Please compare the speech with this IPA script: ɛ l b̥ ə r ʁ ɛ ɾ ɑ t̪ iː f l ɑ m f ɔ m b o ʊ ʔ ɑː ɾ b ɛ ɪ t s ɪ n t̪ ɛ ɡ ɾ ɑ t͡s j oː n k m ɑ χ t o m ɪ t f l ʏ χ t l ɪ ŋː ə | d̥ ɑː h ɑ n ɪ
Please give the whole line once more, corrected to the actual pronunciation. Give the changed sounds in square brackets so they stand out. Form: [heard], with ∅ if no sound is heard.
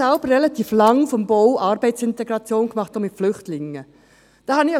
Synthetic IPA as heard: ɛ l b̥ ə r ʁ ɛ [l] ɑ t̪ iː f l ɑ [ŋ] f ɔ m b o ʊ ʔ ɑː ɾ b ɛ ɪ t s ɪ n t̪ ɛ ɡ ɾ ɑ t͡s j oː n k m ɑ χ t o m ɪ t f l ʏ χ t l ɪ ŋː ə | d̥ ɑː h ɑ n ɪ